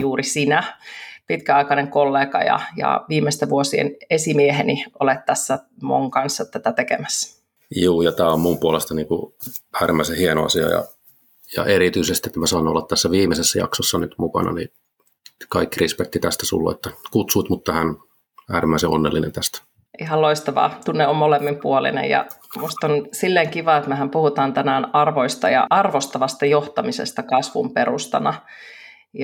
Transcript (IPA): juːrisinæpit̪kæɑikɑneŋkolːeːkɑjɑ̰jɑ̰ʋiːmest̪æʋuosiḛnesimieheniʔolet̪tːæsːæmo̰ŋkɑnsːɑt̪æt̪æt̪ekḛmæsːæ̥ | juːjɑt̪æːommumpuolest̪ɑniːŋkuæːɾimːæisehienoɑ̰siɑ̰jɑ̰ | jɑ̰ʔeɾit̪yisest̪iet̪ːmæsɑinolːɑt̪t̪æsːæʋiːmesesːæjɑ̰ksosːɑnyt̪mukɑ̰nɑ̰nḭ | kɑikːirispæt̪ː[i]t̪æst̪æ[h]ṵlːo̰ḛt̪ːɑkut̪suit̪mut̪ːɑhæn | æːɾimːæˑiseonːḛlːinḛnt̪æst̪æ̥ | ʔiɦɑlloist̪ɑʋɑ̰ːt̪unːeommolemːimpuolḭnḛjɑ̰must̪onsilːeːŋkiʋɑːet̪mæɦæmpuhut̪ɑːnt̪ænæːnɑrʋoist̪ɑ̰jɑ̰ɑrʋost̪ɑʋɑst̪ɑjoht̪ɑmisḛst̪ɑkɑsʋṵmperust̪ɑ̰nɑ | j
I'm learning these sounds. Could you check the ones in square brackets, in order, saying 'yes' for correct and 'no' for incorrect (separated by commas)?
yes, no